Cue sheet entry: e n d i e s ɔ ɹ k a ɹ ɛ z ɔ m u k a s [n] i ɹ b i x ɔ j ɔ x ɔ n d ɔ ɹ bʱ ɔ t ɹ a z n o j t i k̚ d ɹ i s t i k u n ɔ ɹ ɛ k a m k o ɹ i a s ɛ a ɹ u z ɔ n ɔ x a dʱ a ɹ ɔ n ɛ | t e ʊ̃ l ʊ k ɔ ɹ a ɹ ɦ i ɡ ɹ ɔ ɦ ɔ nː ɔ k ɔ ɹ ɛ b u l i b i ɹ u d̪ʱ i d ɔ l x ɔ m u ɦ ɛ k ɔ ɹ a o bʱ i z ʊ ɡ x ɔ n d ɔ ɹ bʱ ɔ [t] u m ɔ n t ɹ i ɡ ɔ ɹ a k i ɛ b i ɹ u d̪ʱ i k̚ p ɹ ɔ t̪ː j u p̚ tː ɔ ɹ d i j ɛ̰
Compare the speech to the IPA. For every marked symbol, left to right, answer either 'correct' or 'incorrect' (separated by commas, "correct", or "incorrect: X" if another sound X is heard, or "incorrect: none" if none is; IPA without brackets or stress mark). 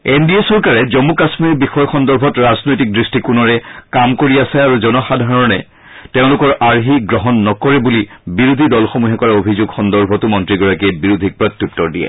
incorrect: m, correct